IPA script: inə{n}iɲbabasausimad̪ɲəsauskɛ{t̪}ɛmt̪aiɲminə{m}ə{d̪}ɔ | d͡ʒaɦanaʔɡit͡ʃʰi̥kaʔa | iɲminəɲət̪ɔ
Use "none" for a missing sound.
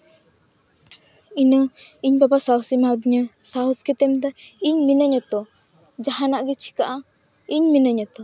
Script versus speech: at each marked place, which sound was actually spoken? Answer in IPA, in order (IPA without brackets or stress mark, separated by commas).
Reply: ŋ, t̪, ɲ, t̪